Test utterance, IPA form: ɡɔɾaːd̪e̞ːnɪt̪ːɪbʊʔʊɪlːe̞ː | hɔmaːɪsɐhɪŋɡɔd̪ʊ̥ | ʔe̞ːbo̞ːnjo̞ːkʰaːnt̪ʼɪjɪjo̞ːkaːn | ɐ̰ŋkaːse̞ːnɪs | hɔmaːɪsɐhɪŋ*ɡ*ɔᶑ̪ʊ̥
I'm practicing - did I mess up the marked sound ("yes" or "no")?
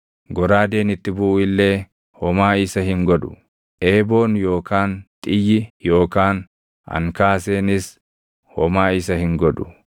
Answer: no